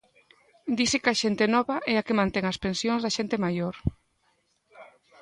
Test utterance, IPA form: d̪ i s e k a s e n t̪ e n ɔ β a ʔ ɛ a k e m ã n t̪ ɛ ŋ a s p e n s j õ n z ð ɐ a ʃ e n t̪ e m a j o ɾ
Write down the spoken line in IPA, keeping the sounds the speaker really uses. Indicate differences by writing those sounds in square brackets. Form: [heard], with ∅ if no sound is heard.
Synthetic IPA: d̪ i s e k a [ʃ] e n t̪ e n ɔ β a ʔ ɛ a k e m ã n t̪ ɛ ŋ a s p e n s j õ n z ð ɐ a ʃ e n t̪ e m a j o ɾ